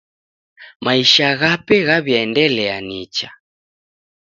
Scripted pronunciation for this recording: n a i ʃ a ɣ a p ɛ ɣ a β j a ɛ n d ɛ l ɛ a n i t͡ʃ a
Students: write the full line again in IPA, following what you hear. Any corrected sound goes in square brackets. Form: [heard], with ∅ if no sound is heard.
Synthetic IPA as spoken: [m] a i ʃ a ɣ a p ɛ ɣ a β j a ɛ n d ɛ l ɛ a n i t͡ʃ a